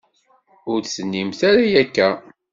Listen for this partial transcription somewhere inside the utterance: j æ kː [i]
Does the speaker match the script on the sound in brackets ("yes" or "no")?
no